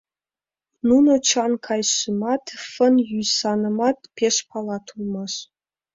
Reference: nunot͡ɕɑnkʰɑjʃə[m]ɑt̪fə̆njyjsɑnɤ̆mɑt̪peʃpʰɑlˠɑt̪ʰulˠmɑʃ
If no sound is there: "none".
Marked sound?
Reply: m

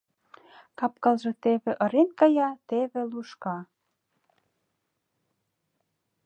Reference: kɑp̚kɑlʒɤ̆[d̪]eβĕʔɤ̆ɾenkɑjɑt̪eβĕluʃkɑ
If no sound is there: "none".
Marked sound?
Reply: t̪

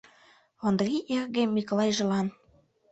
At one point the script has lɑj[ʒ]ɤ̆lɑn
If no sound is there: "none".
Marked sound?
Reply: ʒ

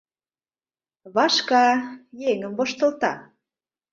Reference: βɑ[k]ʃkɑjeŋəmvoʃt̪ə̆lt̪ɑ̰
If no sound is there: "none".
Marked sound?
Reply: none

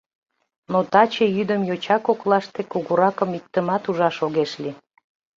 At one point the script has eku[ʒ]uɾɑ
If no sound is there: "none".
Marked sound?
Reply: ɣ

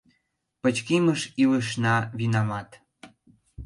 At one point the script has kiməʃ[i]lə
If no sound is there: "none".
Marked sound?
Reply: i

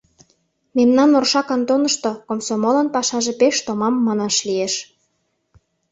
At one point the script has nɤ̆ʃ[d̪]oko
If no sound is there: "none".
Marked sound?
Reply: t̪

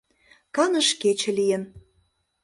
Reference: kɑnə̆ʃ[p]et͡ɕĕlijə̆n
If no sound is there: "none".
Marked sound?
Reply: k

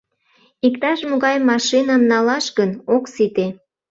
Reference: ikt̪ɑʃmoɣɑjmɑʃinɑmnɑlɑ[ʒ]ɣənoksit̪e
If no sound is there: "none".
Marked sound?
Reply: ʃ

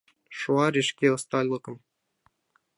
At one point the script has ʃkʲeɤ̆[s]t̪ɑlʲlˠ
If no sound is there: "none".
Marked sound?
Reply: s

